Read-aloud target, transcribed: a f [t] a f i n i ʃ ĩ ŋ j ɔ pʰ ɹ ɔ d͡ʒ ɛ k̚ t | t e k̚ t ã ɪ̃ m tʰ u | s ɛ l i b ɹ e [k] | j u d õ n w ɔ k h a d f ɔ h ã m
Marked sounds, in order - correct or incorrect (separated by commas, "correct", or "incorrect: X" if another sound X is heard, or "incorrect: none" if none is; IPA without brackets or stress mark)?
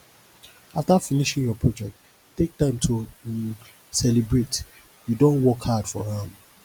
correct, incorrect: t